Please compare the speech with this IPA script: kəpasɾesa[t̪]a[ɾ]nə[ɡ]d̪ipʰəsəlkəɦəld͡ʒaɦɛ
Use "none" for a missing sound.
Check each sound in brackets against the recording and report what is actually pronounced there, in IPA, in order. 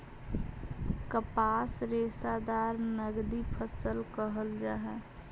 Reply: d̪, ɾ, ɡ

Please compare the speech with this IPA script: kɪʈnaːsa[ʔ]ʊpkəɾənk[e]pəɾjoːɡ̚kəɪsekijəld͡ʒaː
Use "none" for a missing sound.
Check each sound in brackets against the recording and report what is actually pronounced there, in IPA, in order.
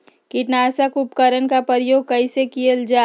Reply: k, a

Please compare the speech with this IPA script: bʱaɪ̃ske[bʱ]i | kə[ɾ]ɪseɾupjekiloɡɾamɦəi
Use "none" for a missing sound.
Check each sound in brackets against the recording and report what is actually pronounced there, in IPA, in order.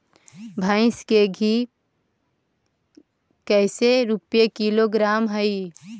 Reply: ɡʱ, none

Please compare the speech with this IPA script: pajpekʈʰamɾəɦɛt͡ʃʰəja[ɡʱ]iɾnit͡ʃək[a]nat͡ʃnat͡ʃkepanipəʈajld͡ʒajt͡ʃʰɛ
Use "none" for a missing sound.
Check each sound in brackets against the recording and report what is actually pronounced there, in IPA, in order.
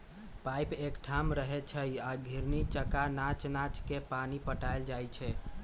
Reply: ɡʱ, a

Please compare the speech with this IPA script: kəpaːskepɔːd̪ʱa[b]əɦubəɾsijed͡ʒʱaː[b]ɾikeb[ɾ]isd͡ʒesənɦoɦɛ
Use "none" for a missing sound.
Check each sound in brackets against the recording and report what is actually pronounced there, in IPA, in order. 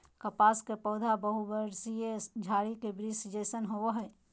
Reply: b, none, ɾ

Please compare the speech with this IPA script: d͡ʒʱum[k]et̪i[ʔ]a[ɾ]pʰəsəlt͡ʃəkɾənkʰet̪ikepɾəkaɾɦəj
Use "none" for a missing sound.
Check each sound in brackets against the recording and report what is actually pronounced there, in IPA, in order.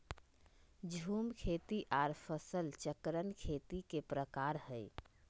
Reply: kʰ, ʔ, ɾ

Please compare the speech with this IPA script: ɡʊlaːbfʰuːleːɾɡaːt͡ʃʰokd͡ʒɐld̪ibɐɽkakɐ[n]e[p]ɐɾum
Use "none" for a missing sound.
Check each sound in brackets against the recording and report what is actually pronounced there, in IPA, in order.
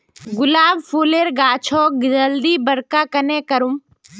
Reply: n, k

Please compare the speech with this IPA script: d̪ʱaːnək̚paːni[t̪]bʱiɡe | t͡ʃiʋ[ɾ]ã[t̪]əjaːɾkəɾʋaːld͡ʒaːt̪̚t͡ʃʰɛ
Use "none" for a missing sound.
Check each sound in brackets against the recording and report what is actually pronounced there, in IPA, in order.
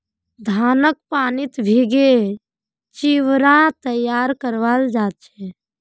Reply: t̪, ɾ, t̪

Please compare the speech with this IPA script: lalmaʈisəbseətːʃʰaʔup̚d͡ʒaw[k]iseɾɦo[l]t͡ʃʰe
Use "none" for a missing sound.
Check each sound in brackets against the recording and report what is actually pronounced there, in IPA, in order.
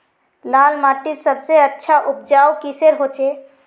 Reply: k, none

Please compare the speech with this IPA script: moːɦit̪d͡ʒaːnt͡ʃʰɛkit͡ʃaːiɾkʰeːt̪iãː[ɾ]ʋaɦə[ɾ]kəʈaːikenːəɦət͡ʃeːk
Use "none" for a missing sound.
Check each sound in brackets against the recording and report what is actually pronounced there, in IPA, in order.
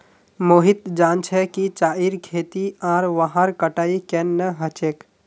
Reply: ɾ, ɾ

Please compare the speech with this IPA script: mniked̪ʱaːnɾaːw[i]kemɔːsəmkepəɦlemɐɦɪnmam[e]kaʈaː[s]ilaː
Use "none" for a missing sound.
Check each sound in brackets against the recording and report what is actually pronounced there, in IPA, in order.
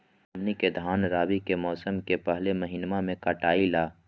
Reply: i, ẽ, none

